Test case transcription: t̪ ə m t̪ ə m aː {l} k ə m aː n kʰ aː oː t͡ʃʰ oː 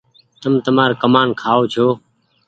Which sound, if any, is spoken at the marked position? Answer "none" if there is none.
ɾ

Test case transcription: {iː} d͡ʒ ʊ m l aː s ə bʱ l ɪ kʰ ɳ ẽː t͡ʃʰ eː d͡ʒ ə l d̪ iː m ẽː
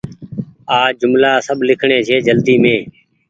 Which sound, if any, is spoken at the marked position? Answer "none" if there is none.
aː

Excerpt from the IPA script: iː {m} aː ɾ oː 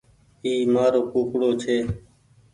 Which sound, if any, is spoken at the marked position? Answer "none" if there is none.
m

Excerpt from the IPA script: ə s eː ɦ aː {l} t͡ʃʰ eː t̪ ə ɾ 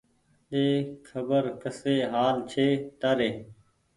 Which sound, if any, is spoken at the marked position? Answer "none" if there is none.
l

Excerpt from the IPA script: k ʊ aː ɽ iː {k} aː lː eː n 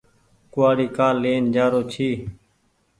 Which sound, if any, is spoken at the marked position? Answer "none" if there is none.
k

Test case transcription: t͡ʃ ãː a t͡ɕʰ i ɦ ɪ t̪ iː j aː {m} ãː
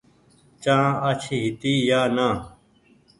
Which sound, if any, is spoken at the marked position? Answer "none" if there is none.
n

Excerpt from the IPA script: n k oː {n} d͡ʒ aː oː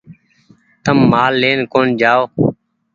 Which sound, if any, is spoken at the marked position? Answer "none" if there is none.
n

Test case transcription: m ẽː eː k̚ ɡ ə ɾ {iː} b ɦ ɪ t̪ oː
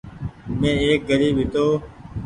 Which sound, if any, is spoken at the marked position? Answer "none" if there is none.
iː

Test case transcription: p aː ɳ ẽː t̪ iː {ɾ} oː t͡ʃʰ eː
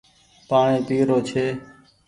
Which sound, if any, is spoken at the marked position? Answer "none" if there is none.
ɾ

